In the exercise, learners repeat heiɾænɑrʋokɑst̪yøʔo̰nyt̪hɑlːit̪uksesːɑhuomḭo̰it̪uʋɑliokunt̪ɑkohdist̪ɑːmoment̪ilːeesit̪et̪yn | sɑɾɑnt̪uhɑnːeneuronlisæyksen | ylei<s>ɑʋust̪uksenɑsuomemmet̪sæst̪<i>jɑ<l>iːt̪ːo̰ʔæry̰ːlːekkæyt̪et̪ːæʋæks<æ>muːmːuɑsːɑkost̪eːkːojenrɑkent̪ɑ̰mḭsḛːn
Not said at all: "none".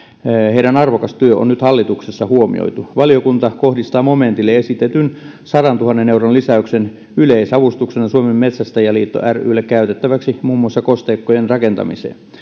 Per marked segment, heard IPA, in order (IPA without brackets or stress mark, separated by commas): s, æ, l, i